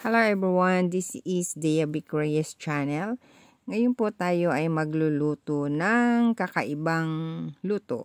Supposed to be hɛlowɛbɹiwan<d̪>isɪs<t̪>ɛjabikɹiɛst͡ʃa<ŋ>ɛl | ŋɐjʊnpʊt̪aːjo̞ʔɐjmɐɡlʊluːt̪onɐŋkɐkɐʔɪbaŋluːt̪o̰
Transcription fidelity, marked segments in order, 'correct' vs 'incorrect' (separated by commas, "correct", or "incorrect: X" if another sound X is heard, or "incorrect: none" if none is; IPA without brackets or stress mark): correct, incorrect: d̪, incorrect: n